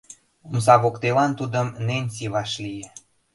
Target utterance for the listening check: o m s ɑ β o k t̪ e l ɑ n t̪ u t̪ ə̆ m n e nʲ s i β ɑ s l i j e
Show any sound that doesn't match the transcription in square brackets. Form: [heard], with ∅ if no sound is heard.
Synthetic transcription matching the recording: o m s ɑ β o k t̪ e l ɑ n t̪ u [d̪] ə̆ m n e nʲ s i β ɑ [ʃ] l i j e